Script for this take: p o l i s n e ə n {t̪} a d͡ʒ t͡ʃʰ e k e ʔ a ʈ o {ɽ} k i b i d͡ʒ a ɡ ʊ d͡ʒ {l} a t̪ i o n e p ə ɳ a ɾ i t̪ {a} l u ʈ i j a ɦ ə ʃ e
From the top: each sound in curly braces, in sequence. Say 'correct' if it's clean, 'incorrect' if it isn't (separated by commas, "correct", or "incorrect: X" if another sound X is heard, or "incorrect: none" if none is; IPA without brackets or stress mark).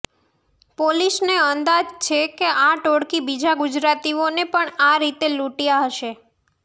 incorrect: d̪, correct, incorrect: ɾ, incorrect: e